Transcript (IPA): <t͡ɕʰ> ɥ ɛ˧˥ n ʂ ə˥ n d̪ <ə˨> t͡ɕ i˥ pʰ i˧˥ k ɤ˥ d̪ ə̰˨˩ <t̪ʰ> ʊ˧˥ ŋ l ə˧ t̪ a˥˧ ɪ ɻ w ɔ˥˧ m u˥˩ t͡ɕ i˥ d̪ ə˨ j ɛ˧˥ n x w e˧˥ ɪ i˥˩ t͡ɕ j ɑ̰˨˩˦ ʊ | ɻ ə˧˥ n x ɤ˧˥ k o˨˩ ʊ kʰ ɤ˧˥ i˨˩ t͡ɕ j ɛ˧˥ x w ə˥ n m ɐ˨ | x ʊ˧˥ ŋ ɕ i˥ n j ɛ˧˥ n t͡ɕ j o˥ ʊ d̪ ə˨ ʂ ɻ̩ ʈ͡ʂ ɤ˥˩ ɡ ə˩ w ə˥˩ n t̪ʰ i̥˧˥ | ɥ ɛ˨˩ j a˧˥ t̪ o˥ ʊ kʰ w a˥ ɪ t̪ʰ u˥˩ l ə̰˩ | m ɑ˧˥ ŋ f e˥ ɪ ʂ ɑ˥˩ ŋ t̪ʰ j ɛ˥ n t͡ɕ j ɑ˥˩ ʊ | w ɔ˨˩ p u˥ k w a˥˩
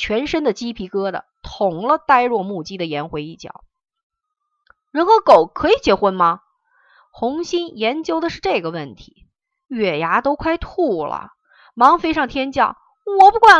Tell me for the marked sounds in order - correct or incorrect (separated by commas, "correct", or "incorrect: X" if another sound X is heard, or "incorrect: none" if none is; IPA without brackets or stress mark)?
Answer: correct, correct, correct